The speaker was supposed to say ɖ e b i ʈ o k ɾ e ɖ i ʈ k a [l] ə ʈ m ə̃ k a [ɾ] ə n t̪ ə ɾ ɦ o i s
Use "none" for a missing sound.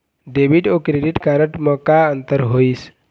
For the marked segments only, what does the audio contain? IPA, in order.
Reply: ɾ, none

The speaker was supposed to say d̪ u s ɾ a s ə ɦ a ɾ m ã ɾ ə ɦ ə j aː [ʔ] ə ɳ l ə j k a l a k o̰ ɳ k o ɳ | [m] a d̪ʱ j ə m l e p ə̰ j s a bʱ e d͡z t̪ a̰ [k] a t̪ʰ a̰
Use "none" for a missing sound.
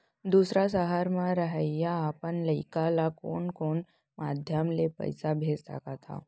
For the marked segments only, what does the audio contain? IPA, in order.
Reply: p, m, k

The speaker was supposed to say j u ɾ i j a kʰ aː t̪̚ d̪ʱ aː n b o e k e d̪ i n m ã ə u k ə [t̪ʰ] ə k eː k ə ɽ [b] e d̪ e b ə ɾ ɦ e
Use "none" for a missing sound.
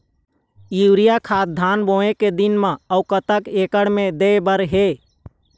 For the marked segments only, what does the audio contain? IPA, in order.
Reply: t̪, m

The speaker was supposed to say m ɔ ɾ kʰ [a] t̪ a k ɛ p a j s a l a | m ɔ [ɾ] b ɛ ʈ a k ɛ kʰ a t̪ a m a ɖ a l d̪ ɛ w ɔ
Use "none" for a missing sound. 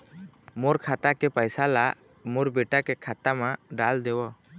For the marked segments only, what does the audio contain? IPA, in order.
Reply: a, ɾ

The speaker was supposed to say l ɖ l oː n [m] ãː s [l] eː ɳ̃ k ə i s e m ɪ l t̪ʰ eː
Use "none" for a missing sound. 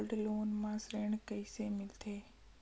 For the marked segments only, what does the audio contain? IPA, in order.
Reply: m, ɾ

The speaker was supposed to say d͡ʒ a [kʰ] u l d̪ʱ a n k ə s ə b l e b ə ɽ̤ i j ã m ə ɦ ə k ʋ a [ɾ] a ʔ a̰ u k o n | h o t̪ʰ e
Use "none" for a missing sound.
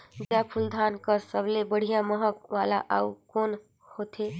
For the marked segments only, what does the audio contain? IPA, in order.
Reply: pʰ, l

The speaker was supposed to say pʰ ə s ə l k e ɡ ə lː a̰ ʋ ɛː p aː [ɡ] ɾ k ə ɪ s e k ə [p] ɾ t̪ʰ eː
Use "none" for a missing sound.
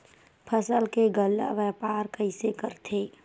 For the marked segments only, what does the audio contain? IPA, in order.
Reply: none, none

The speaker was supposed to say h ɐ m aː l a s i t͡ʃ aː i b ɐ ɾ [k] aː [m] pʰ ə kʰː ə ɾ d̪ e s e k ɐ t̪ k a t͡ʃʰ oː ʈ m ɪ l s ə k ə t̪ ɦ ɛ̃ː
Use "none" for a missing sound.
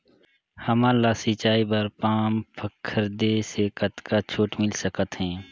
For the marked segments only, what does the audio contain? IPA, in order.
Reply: p, m

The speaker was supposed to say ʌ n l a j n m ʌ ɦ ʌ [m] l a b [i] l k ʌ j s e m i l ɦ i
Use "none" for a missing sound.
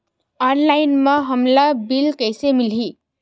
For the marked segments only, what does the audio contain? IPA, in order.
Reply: m, i

